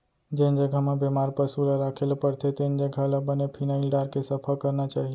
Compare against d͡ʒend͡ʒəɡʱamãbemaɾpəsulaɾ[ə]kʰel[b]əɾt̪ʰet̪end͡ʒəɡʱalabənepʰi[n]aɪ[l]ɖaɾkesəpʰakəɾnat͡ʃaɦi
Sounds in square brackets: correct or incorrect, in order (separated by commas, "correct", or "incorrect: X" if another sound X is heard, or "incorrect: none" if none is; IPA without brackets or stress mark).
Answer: incorrect: a, incorrect: p, correct, correct